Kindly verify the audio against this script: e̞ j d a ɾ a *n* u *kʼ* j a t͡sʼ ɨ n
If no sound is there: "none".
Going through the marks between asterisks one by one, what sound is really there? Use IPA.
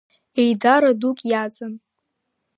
d, kʼ

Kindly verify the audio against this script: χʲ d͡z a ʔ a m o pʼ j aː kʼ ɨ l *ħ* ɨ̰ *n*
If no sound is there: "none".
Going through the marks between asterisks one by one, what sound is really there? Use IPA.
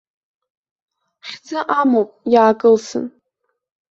s, n

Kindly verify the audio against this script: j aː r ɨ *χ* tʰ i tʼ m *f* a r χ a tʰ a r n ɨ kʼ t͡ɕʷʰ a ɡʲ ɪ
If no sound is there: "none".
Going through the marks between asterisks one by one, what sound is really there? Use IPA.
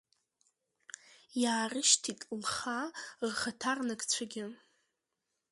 ʃ, χ

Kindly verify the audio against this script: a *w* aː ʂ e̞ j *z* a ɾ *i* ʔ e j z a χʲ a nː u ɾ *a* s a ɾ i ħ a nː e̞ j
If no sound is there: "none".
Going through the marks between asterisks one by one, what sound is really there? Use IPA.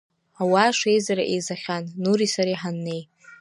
w, z, a, i

